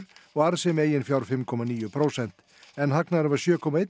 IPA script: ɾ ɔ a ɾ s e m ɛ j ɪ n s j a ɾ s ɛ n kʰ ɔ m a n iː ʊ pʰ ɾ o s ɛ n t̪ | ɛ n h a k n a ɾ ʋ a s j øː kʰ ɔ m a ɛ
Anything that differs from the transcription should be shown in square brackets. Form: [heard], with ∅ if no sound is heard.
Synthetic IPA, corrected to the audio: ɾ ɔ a ɾ s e m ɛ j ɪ n [f] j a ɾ [f] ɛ [m] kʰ ɔ m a n iː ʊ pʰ ɾ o s ɛ n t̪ | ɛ n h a k n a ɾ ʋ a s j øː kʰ ɔ m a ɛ